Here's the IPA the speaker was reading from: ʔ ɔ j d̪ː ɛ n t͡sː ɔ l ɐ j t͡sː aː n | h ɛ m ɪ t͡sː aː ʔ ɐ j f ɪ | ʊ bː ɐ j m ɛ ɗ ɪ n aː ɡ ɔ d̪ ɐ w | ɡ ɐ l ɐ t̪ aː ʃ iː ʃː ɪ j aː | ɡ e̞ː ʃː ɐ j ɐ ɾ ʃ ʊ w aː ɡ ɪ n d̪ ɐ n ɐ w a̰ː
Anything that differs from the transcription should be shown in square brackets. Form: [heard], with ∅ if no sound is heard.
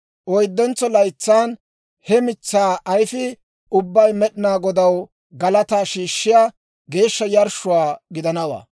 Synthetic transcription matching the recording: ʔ ɔ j d̪ː ɛ n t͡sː ɔ l ɐ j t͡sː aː n | h ɛ m ɪ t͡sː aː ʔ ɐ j f ɪ | ʊ bː ɐ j m ɛ ɗ ɪ n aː ɡ ɔ d̪ ɐ w | ɡ ɐ l ɐ t̪ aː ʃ iː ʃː ɪ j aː | ɡ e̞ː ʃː ɐ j ɐ ɾ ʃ ʊ w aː ɡ ɪ [∅] d̪ ɐ n ɐ w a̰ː